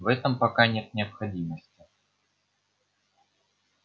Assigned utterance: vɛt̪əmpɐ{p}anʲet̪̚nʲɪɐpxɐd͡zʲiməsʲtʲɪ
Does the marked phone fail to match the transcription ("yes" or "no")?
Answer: yes